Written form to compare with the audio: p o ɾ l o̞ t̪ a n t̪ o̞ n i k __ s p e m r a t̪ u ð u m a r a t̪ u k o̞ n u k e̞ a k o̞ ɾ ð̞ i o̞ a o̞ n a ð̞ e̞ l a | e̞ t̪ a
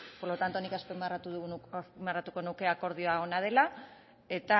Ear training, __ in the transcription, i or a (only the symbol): a